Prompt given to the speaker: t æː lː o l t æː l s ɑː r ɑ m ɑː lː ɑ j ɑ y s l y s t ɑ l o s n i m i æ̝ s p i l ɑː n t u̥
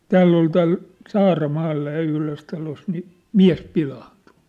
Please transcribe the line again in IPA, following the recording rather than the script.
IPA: t æː lː o l t æː l s ɑː r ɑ m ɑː lː ɑ j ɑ y h l ø s t ɑ l o s n i m i æ̝ s p i l ɑː n t u̥